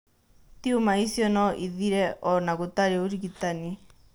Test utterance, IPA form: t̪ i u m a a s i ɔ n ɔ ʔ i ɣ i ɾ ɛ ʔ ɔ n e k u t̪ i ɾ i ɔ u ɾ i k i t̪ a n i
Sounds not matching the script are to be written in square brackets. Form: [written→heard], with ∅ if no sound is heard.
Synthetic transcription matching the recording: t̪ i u m a [a→i] s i ɔ n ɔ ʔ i [ɣ→ð] i ɾ ɛ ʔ ɔ n [e→a] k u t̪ [i→a] ɾ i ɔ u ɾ i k i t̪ a n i